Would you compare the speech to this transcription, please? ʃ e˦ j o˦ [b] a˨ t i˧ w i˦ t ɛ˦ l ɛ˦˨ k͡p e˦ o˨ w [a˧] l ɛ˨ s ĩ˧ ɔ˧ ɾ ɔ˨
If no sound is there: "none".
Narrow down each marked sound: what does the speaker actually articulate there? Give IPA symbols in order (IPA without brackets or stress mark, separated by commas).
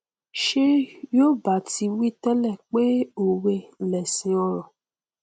b, e˧